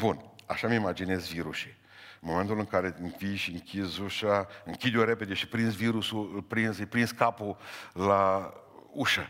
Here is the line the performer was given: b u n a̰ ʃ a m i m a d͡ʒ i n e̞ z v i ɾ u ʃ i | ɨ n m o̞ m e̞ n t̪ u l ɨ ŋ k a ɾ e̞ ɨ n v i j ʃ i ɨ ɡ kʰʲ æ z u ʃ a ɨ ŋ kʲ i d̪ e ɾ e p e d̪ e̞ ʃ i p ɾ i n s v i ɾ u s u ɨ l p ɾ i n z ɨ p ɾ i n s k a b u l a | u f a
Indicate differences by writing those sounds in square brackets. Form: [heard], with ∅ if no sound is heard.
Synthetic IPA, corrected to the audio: b u n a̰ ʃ a m i m a d͡ʒ i n e̞ z v i ɾ u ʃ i | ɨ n m o̞ m e̞ n t̪ u l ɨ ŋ k a ɾ e̞ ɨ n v i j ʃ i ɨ [ŋ] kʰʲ [i] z u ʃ a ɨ ŋ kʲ i d̪ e ɾ e p e d̪ e̞ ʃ i p ɾ i n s v i ɾ u s u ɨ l p ɾ i n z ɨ p ɾ i n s k a [p] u l a | u [ʃ] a